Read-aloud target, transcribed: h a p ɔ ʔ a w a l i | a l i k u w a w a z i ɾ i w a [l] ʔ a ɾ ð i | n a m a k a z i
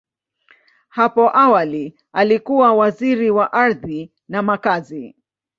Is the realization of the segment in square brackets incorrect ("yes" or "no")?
yes